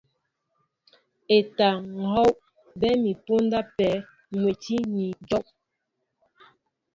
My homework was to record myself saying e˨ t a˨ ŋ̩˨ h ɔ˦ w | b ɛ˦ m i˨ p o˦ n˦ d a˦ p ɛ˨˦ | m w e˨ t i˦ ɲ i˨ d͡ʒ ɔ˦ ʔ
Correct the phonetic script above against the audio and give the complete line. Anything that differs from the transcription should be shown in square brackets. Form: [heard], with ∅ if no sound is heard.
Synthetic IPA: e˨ t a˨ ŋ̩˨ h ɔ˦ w | b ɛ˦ m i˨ p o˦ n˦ d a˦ p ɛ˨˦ | m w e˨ t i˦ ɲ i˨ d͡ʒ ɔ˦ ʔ